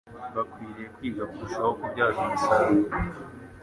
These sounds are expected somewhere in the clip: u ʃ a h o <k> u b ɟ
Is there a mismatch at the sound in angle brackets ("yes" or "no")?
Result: no